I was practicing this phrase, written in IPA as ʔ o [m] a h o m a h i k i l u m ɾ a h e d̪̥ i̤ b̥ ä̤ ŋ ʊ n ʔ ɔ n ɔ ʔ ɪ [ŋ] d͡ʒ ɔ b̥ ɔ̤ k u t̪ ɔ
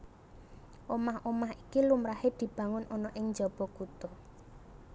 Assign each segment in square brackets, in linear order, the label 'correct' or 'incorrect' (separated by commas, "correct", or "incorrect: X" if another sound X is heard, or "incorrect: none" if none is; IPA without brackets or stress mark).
correct, correct